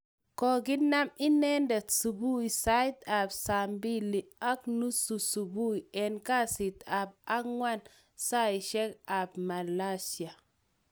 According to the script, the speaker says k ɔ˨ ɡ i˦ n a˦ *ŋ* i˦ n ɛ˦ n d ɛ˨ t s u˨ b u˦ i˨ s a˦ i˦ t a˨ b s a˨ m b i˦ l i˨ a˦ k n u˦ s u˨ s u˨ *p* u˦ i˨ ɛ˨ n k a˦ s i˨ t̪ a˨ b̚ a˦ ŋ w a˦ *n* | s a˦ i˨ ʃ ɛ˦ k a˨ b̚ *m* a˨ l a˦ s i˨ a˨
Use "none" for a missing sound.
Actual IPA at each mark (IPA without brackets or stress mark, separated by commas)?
m, b, n, m